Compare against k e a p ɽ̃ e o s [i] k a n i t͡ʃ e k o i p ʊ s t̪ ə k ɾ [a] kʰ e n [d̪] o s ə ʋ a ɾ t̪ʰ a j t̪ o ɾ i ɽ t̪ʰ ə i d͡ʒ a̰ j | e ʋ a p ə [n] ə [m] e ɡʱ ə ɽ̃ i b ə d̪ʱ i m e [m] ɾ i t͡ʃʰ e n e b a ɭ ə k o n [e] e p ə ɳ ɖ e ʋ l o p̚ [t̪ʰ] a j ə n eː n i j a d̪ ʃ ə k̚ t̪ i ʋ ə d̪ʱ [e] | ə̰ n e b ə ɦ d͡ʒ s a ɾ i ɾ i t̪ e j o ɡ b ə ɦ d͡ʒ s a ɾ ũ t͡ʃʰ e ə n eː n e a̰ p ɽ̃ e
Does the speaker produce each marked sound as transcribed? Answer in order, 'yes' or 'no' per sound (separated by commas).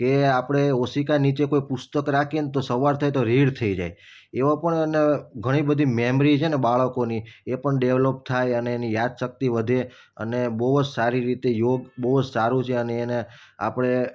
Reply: yes, yes, no, no, no, yes, no, yes, yes